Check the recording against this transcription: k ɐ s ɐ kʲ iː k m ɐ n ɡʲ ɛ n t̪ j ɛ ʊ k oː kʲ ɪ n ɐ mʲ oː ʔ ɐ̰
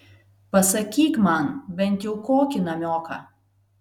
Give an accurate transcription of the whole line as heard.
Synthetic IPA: p ɐ s ɐ kʲ iː k m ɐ n bʲ ɛ n t̪ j ɛ ʊ k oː kʲ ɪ n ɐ mʲ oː k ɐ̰